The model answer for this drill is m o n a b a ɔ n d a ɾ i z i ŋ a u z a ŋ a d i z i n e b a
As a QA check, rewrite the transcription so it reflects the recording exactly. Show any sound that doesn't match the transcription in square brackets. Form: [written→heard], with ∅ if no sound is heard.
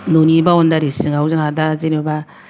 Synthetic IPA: [m→n] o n [a→i] b a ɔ n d a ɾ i [z→s] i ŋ a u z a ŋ a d [i→a] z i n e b a